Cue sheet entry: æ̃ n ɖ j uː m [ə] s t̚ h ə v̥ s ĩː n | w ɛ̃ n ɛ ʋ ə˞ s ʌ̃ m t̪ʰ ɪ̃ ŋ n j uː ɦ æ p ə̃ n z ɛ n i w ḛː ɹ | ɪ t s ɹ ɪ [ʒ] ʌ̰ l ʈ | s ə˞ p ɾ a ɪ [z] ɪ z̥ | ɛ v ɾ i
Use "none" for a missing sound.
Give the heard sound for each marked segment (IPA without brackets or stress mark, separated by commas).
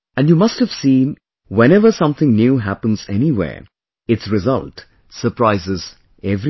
ʌ, z, z